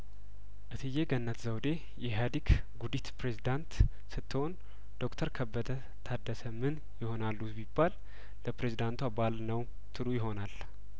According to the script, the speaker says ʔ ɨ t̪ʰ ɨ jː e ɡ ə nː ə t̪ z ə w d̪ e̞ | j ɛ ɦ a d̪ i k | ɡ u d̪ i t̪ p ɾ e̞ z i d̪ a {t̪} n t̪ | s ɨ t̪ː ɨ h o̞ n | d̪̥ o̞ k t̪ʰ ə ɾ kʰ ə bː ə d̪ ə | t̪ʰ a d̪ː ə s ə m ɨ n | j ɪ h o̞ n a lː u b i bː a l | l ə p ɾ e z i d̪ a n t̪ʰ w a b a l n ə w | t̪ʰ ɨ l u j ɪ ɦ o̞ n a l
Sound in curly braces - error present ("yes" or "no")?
yes